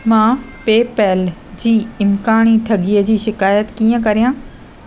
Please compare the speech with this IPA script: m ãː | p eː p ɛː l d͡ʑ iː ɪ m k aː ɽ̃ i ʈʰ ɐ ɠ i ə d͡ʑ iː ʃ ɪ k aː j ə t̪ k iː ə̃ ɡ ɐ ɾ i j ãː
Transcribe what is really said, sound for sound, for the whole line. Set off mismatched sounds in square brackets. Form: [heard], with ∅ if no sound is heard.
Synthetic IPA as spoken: m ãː | p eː p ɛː l d͡ʑ iː ɪ m k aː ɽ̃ i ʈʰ ɐ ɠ i ə d͡ʑ iː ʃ ɪ k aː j ə t̪ k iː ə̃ [k] ɐ ɾ i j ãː